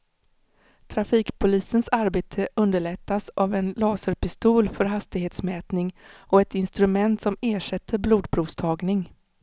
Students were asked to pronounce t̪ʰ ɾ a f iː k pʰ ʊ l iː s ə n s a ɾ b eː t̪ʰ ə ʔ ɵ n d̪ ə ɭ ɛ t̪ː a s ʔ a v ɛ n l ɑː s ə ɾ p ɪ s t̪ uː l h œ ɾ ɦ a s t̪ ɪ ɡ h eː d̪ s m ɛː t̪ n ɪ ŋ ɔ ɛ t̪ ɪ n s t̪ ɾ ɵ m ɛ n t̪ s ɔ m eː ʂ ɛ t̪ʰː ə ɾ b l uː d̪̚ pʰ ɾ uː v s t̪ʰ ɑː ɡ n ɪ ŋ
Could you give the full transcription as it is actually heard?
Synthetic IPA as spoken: t̪ʰ ɾ a f iː k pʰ ʊ l iː s ə n s a ɾ b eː t̪ʰ ə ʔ ɵ n d̪ ə ɭ ɛ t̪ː a s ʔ a v ɛ n l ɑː s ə ɾ p ɪ s t̪ uː l f œ ɾ ɦ a s t̪ ɪ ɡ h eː t̪ s m ɛː t̪ n ɪ ŋ ɔ ɛ t̪ ɪ n s t̪ ɾ ɵ m ɛ n t̪ s ɔ m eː ʂ ɛ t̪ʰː ə ɾ b l uː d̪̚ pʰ ɾ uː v s t̪ʰ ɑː ɡ n ɪ ŋ